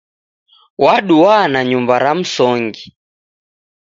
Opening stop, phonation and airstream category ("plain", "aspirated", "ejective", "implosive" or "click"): implosive